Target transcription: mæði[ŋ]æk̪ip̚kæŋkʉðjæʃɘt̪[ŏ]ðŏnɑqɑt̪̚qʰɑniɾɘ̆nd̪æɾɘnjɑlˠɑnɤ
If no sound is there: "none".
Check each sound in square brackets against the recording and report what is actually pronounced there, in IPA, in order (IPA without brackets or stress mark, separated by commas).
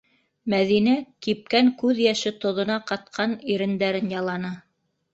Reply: n, ŏ